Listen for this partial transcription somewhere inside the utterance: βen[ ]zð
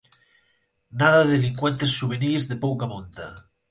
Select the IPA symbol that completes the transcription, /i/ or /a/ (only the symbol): i